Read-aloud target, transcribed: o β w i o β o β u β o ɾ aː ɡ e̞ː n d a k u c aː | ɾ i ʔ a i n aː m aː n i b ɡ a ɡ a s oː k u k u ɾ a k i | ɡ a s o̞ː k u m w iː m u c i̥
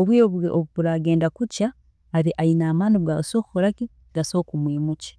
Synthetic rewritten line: o β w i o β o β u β u ɾ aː ɡ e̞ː n d a k u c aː | ɾ i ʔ a i n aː m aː n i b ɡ a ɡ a s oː k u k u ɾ a k i | ɡ a s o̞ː k u m w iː m u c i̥